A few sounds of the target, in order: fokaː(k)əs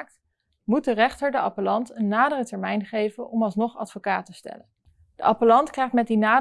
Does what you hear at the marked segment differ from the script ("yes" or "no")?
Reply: yes